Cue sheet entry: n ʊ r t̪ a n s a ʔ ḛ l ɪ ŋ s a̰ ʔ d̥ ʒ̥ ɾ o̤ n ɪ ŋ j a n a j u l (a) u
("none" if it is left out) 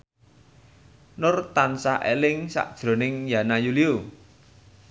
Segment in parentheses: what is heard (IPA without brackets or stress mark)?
i